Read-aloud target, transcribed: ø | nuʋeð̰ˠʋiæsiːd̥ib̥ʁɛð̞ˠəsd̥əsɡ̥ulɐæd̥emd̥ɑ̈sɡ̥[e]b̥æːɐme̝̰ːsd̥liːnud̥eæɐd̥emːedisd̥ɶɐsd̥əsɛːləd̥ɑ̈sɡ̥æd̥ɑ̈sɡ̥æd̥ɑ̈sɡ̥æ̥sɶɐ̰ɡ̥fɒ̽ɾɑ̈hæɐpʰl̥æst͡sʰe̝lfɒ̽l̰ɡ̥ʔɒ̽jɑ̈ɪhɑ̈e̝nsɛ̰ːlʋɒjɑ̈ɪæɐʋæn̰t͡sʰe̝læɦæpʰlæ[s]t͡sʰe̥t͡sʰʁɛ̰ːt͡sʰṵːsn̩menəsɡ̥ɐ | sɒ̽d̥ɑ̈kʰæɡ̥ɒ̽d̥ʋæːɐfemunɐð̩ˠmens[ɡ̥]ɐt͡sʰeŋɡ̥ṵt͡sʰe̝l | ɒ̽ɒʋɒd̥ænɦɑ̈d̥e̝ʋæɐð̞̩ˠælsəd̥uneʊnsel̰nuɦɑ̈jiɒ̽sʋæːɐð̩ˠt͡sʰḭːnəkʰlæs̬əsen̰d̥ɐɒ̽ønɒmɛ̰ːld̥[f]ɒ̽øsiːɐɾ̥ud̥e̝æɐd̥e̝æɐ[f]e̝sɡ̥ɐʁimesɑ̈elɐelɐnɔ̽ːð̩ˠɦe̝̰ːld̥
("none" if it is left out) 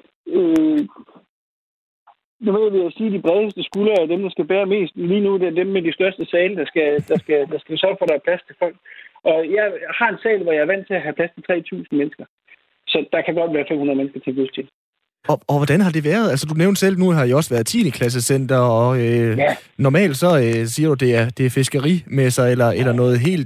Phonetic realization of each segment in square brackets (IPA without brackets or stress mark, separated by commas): æ, s, ɡ̥, s, f